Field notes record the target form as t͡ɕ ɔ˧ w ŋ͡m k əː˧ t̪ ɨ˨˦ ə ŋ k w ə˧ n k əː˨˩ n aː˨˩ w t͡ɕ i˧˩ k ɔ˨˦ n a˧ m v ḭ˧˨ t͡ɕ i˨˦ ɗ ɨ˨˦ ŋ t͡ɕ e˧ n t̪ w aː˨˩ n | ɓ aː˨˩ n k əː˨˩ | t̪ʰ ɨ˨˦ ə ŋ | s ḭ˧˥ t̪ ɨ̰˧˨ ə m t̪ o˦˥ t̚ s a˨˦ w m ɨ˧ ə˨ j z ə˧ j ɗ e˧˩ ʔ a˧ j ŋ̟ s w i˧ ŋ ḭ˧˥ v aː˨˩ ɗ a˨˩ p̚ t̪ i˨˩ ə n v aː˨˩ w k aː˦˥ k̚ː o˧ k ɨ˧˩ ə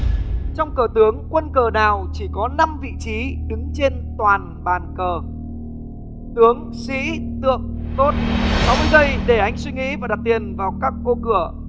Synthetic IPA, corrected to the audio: t͡ɕ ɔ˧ w ŋ͡m k əː˨˩ t̪ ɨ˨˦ ə ŋ k w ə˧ n k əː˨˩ n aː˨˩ w t͡ɕ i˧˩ k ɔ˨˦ n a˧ m v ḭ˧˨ t͡ɕ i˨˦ ɗ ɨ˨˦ ŋ t͡ɕ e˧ n t̪ w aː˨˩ n | ɓ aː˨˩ n k əː˨˩ | t̪ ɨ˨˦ ə ŋ | s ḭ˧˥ t̪ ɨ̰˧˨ ə ŋ t̪ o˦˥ t̚ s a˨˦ w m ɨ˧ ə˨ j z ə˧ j ɗ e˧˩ ʔ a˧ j ŋ̟ s w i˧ ŋ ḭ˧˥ v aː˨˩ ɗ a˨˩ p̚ t̪ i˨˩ ə n v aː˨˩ w k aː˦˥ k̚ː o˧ k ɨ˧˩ ə